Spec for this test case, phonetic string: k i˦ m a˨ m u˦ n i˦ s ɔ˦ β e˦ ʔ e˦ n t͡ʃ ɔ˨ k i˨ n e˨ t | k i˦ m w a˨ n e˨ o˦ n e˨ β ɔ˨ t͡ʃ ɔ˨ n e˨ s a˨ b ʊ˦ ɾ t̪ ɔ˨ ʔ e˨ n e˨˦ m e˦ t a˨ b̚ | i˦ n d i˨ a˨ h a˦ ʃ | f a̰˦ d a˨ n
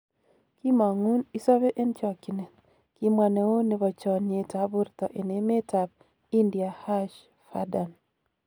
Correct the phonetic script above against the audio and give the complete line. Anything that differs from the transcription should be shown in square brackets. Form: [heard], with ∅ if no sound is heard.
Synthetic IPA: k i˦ m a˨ [ŋ] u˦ n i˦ s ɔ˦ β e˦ ʔ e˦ n t͡ʃ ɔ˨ k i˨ n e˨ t | k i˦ m w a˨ n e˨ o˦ n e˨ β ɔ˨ t͡ʃ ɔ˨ n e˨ [t] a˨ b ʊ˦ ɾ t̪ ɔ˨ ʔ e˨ n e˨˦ m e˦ t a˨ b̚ | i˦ n d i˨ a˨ h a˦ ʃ | f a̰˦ d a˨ n